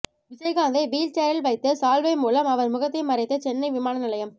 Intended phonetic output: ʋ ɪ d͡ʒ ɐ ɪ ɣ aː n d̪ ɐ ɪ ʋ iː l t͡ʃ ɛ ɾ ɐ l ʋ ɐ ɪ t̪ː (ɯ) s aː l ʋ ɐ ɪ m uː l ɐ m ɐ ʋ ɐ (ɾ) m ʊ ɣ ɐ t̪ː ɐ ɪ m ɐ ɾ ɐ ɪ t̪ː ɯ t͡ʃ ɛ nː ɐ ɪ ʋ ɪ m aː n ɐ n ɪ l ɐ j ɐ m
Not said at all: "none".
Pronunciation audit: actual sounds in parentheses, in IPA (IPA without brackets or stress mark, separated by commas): ɯ, ɾ